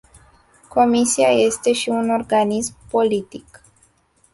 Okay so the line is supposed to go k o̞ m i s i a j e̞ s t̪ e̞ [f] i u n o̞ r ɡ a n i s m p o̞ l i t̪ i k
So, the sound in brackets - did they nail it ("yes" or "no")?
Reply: no